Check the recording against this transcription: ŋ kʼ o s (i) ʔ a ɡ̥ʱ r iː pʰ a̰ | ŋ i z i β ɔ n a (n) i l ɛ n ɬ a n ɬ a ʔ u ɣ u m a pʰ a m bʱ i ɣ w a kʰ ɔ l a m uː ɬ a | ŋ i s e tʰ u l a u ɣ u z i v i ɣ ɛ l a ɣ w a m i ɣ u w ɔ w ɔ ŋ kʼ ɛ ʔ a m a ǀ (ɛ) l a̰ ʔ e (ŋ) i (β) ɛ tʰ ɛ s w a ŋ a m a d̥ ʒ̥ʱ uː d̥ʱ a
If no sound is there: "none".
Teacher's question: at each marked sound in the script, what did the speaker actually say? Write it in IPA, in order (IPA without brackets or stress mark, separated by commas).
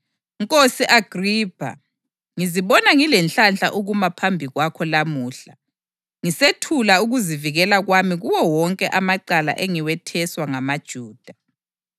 i, ŋ, a, ŋ, w